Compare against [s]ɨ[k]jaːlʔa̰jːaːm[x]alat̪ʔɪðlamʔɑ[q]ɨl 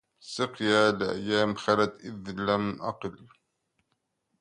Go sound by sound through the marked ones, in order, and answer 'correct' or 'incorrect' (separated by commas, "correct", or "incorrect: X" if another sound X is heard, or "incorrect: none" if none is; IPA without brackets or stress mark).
correct, incorrect: q, correct, correct